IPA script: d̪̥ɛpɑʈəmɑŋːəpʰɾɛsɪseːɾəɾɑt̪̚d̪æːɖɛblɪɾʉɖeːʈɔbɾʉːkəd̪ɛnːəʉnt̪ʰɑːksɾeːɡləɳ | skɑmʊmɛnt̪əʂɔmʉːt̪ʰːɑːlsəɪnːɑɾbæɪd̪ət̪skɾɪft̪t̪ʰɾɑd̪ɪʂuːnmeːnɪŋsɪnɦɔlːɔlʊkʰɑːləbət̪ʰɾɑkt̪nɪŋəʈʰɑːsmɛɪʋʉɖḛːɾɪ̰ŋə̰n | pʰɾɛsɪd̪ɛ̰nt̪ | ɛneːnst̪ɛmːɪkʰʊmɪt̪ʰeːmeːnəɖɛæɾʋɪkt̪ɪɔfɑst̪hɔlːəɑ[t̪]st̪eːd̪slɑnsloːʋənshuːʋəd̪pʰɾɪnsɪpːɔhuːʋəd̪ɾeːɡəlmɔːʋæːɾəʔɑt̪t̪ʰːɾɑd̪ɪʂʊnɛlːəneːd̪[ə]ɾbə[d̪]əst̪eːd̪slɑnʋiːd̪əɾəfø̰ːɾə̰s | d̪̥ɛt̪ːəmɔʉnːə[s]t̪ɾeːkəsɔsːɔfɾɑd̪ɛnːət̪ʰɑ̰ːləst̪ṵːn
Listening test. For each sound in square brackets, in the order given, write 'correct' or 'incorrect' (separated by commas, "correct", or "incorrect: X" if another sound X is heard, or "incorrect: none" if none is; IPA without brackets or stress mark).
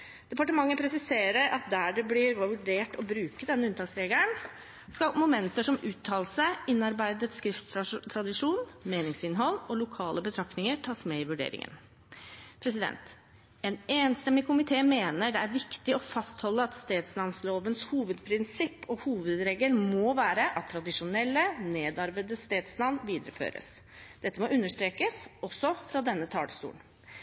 correct, incorrect: ɑ, correct, incorrect: ʂ